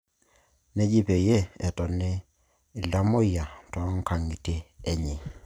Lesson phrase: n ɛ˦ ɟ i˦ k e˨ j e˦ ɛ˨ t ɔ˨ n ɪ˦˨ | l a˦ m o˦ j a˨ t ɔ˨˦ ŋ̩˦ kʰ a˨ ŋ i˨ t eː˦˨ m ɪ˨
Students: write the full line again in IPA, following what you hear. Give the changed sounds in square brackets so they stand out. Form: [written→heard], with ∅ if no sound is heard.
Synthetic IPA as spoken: n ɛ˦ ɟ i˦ [k→p] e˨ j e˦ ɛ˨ t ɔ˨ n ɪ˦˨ | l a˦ m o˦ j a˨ t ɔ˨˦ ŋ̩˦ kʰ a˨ ŋ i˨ t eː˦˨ [m→ɲ] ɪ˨